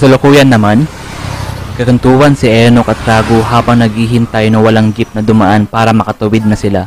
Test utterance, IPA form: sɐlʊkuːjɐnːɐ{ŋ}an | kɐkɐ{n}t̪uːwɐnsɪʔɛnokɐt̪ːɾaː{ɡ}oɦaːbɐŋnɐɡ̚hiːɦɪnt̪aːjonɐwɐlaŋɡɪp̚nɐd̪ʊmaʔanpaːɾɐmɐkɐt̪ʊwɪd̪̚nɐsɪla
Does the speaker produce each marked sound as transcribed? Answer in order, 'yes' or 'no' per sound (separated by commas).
no, yes, yes